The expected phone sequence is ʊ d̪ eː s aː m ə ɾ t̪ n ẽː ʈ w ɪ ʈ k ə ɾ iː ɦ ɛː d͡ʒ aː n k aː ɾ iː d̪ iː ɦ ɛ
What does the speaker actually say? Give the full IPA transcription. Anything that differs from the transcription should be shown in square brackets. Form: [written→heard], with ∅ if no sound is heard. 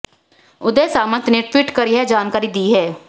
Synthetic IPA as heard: ʊ d̪ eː s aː m ə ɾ t̪ n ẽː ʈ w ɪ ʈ k ə ɾ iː ɦ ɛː d͡ʒ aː n k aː ɾ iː d̪ iː ɦ [ɛ→ɛː]